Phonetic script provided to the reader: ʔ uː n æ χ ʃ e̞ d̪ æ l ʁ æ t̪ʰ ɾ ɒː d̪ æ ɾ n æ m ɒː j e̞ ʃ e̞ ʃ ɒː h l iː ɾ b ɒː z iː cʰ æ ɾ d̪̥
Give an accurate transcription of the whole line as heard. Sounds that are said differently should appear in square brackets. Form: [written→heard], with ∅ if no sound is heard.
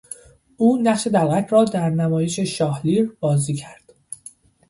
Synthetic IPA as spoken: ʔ uː n æ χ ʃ e̞ d̪ æ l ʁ æ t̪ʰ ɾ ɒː d̪ æ ɾ n æ m ɒː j e̞ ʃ e̞ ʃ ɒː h l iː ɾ b ɒː z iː cʰ æ ɾ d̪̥